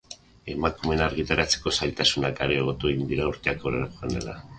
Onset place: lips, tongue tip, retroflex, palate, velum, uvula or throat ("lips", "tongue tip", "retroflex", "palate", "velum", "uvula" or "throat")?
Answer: lips